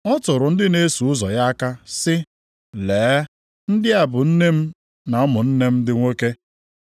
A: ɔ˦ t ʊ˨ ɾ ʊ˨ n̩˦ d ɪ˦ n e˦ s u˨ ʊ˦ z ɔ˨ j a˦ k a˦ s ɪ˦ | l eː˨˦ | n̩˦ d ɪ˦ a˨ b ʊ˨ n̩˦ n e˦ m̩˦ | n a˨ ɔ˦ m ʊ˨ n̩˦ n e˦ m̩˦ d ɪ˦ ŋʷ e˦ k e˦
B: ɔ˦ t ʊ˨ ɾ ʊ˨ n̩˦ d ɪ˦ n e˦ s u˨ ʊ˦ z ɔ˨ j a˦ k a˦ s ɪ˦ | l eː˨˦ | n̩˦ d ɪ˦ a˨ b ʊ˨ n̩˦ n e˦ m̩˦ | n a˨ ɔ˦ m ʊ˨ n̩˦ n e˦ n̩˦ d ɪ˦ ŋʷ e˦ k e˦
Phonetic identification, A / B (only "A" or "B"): A